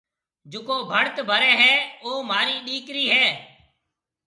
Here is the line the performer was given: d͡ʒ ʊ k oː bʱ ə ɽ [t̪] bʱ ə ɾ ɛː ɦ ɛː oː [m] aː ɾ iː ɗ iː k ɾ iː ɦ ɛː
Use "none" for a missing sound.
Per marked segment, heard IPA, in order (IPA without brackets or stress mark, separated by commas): t̪, m